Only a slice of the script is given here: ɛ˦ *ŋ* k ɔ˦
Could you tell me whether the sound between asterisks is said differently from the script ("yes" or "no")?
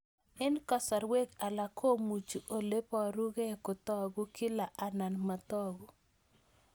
yes